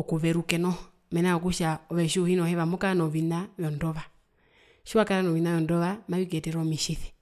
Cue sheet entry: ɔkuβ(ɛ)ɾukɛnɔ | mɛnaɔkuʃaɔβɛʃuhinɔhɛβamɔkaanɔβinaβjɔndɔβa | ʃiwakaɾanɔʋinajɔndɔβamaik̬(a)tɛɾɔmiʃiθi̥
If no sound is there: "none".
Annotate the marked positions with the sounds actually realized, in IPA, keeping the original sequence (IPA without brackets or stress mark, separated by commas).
ɛ, ɛ